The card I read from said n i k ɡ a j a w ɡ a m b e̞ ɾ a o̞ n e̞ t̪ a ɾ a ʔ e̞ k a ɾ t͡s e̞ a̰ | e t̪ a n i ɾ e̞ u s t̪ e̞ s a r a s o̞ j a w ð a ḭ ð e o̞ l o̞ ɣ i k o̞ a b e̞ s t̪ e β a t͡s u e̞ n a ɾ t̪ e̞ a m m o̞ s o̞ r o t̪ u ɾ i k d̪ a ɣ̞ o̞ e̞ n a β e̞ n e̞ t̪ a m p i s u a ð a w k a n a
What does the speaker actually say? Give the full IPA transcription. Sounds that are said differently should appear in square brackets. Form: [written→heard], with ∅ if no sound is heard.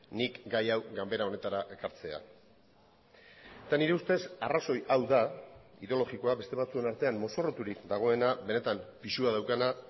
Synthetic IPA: n i k ɡ a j a w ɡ a m b e̞ ɾ a o̞ n e̞ t̪ a ɾ a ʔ e̞ k a ɾ t͡s e̞ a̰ | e t̪ a n i ɾ e̞ u s t̪ e̞ s a r a s o̞ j a w ð a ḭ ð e o̞ l o̞ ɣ i k o̞ a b e̞ s t̪ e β a t͡s u e̞ n a ɾ t̪ e̞ a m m o̞ s o̞ r o t̪ u ɾ i k d̪ a ɣ̞ o̞ e̞ n a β e̞ n e̞ t̪ a m p i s u a ð a w k a n a

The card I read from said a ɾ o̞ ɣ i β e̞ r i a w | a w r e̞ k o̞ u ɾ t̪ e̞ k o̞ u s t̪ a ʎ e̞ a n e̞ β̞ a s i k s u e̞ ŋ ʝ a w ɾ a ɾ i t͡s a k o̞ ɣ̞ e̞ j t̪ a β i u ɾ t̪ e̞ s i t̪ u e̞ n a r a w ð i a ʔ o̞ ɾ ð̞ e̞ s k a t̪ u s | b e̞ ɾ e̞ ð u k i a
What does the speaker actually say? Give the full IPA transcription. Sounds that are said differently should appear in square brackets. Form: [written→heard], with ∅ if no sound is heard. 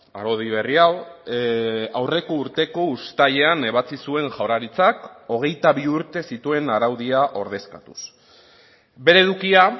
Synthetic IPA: a ɾ o̞ [ɣ→ð] i β e̞ r i a w | a w r e̞ k o̞ u ɾ t̪ e̞ k o̞ u s t̪ a ʎ e̞ a n e̞ β̞ a [s→t͡s] i [k→∅] s u e̞ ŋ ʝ a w ɾ a ɾ i t͡s a k o̞ ɣ̞ e̞ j t̪ a β i u ɾ t̪ e̞ s i t̪ u e̞ n a [r→ɾ] a w ð i a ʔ o̞ ɾ ð̞ e̞ s k a t̪ u s | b e̞ ɾ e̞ ð u k i a

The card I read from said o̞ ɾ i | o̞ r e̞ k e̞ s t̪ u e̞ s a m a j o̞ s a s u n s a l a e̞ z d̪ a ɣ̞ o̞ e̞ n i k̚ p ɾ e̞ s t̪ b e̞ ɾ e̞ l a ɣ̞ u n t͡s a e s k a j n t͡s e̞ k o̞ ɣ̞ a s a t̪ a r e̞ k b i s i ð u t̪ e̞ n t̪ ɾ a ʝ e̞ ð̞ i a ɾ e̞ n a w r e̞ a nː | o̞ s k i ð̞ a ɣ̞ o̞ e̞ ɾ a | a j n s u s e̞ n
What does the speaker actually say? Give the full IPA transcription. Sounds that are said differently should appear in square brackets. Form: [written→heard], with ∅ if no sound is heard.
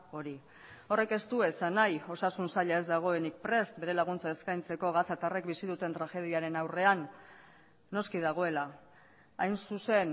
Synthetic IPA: o̞ ɾ i | o̞ r e̞ k e̞ s t̪ u e̞ s a [m→n] a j o̞ s a s u n s a [l→ʎ] a e̞ z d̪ a ɣ̞ o̞ e̞ n i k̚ p ɾ e̞ s t̪ b e̞ ɾ e̞ l a ɣ̞ u n t͡s a e s k a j n t͡s e̞ k o̞ ɣ̞ a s a t̪ a r e̞ k b i s i ð u t̪ e̞ n t̪ ɾ a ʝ e̞ ð̞ i a ɾ e̞ n a w r e̞ a nː | o̞ s k i ð̞ a ɣ̞ o̞ e̞ [ɾ→l] a | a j n s u s e̞ n

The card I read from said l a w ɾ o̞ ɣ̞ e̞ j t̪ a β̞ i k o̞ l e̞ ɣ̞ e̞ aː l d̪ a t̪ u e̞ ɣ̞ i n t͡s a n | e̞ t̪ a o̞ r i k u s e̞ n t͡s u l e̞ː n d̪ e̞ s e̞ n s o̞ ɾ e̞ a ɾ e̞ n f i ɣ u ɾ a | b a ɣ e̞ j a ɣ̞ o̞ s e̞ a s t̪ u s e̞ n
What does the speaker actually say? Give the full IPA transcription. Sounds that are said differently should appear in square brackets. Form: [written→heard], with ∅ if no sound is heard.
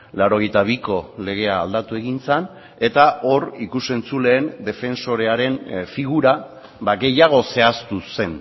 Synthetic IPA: l a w ɾ o̞ ɣ̞ e̞ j t̪ a β̞ i k o̞ l e̞ ɣ̞ e̞ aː l d̪ a t̪ u e̞ ɣ̞ i n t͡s a n | e̞ t̪ a o̞ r i k u s e̞ n t͡s u l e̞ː n d̪ e̞ [s→f] e̞ n s o̞ ɾ e̞ a ɾ e̞ n f i ɣ u ɾ a | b a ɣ e̞ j a ɣ̞ o̞ s e̞ a s t̪ u s e̞ n

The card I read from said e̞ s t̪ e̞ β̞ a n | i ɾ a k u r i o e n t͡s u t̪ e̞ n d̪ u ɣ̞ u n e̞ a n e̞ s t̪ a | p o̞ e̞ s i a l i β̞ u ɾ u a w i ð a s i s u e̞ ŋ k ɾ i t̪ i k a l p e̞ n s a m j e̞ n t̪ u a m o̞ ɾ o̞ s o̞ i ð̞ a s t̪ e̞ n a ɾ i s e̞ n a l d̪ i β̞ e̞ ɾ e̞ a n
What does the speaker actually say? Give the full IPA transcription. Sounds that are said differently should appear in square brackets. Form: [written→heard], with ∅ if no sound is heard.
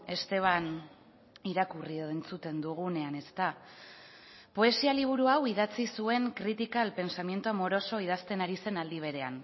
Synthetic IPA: e̞ s t̪ e̞ β̞ a n | i ɾ a k u r i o e n t͡s u t̪ e̞ n d̪ u ɣ̞ u n e̞ a n e̞ s t̪ a | p o̞ e̞ s i a l i β̞ u ɾ u a w i ð a [s→t͡s] i s u e̞ ŋ k ɾ i t̪ i k a l p e̞ n s a m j e̞ n t̪ u a m o̞ ɾ o̞ s o̞ i ð̞ a s t̪ e̞ n a ɾ i s e̞ n a l d̪ i β̞ e̞ ɾ e̞ a n

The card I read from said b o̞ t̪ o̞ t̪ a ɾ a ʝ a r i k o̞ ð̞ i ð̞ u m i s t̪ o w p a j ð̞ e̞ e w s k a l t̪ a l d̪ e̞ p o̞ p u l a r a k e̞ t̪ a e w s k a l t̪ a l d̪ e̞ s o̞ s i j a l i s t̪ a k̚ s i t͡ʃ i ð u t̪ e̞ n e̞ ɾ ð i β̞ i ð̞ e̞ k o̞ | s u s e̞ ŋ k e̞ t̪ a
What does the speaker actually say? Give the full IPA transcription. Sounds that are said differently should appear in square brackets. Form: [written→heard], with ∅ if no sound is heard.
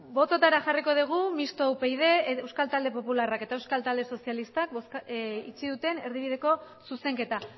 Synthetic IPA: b o̞ t̪ o̞ t̪ a ɾ a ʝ a r i k o̞ ð̞ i [ð̞→ɣ̞] u m i s t̪ o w p [a→e] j ð̞ e̞ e w s k a l t̪ a l d̪ e̞ p o̞ p u l a r a k e̞ t̪ a e w s k a l t̪ a l d̪ e̞ s o̞ s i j a l i s t̪ a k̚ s i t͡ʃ i ð u t̪ e̞ n e̞ ɾ ð i β̞ i ð̞ e̞ k o̞ | s u s e̞ ŋ k e̞ t̪ a

